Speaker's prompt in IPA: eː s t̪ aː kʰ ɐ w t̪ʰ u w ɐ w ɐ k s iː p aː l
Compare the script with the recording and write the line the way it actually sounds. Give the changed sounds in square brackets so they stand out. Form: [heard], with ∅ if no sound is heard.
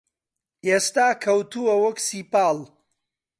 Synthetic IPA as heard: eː s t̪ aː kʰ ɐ w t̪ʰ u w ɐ w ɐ k s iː p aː l